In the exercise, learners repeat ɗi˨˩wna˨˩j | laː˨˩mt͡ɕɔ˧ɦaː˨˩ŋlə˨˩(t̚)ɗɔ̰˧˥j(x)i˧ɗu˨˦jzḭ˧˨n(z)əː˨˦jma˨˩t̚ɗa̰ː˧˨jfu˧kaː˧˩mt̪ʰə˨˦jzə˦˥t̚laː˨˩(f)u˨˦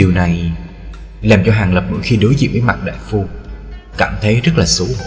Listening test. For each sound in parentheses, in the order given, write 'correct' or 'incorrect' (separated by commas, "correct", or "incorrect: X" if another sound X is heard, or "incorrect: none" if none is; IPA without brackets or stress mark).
incorrect: p̚, correct, incorrect: v, incorrect: s